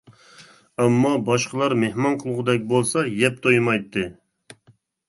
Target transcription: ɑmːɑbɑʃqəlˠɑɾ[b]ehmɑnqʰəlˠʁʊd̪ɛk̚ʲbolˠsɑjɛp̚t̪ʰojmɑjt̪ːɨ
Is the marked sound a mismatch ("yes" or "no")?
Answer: yes